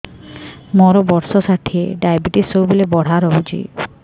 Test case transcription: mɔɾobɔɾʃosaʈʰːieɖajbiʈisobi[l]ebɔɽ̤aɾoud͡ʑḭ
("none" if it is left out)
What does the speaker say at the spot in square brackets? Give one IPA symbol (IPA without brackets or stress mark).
l